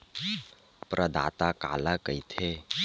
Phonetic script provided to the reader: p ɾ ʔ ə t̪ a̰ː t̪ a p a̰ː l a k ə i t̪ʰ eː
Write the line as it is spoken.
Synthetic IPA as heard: p ɾ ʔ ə d̪ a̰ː t̪ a k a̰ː l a k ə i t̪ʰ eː